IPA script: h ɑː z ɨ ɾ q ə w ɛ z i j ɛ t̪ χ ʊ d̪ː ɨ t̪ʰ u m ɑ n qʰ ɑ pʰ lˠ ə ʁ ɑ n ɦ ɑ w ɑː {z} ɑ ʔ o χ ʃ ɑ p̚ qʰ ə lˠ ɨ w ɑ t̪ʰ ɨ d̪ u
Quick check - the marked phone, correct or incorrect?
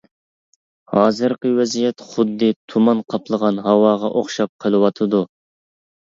incorrect